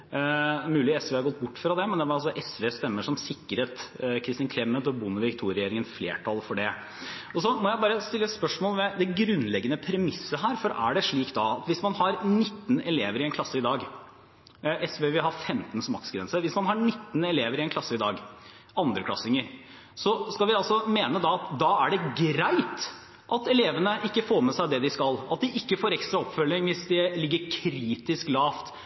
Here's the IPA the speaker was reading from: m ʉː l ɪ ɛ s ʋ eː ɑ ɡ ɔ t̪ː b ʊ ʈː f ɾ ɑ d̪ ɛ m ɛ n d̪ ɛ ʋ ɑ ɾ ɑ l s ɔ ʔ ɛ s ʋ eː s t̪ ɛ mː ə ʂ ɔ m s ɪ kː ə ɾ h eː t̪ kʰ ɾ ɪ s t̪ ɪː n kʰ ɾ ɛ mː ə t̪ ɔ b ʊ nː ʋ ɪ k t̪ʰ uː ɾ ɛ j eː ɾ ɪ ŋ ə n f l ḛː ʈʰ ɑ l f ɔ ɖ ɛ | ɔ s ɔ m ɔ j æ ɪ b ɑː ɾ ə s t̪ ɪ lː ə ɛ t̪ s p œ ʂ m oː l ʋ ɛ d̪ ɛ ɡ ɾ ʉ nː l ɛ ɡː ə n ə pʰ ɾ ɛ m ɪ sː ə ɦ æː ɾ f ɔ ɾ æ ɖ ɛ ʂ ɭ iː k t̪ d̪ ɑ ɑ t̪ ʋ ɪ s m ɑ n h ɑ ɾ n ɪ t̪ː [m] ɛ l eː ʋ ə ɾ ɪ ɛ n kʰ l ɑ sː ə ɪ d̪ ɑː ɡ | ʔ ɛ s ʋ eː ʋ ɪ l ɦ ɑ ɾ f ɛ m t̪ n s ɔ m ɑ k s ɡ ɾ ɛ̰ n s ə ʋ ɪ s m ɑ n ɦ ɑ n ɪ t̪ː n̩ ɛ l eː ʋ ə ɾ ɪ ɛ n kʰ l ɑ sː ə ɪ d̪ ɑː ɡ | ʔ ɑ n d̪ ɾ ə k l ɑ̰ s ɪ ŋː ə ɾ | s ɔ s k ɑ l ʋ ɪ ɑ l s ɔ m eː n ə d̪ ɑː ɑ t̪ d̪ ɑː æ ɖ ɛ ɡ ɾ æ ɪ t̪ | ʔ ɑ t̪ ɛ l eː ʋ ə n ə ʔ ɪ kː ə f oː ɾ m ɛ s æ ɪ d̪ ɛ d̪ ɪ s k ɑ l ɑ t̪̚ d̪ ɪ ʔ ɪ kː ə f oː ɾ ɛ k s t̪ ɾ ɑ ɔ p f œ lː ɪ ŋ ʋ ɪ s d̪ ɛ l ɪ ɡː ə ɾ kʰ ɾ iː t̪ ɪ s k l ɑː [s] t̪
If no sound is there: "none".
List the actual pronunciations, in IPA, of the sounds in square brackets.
n, f

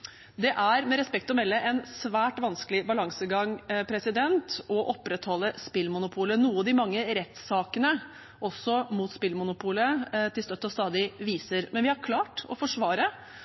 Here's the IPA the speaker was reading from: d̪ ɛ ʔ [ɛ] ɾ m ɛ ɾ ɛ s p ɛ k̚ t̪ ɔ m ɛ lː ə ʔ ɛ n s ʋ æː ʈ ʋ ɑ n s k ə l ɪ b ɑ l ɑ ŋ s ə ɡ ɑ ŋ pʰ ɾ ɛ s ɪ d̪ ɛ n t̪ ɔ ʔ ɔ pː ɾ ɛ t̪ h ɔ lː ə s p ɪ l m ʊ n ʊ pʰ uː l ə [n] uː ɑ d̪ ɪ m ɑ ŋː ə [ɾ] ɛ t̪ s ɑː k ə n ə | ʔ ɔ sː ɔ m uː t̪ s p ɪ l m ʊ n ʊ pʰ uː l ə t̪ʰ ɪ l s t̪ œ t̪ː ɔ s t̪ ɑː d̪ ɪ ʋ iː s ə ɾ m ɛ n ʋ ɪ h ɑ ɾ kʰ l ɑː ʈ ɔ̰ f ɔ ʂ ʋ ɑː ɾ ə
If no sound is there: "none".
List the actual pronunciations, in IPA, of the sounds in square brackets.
æ, n, ɾ

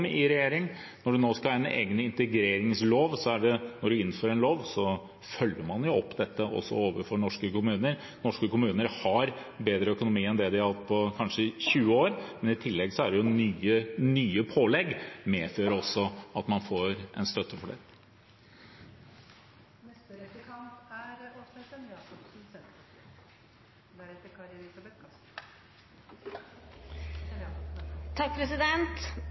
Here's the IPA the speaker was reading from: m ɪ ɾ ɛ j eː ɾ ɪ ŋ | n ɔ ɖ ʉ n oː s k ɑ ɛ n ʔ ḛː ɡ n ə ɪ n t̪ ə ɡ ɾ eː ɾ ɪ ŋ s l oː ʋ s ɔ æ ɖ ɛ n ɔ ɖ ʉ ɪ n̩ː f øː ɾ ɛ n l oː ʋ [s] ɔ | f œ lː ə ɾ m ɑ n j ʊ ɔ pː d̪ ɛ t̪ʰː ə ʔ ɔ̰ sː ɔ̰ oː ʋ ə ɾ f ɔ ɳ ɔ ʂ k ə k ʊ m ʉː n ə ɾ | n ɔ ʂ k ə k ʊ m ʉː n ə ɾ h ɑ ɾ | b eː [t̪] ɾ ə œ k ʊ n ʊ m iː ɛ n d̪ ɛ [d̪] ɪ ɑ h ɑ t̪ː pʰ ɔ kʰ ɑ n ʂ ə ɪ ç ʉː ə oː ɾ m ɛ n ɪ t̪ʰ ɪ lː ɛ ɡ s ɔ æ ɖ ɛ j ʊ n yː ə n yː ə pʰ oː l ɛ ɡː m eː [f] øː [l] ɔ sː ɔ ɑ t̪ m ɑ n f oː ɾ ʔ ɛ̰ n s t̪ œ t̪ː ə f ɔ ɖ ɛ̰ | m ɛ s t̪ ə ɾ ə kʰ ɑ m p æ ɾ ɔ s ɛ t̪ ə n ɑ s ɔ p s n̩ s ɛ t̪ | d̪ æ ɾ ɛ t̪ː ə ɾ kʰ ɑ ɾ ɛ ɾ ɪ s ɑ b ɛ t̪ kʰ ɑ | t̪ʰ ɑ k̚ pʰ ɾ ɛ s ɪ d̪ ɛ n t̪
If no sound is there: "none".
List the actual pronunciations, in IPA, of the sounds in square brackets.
s, d̪, d̪, f, ɾ

